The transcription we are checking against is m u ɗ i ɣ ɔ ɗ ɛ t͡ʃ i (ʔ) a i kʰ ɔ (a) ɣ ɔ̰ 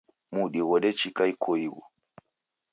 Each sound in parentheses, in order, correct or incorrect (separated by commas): incorrect, incorrect